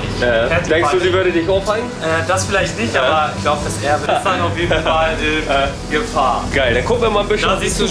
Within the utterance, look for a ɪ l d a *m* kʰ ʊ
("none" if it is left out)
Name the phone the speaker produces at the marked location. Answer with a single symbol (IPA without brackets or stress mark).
n